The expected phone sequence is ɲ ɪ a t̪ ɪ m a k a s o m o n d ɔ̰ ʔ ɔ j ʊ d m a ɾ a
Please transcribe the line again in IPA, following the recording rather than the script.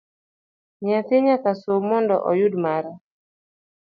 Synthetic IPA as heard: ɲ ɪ a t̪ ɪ ɲ a k a s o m ɔ n d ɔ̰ ʔ ɔ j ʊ d m a ɾ a

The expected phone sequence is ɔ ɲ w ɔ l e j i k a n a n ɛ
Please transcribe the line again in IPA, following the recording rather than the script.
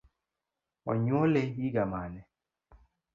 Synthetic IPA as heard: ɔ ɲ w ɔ l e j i ɡ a m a n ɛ

